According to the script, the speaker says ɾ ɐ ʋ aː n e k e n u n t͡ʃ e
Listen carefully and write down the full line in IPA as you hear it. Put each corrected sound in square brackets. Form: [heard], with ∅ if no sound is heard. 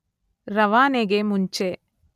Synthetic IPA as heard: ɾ ɐ ʋ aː n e [ɡ] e [m] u [ɲ] t͡ʃ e